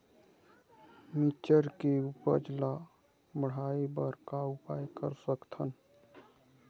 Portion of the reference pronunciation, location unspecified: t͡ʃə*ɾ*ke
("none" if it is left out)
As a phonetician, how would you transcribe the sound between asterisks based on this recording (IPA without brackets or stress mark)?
ɾ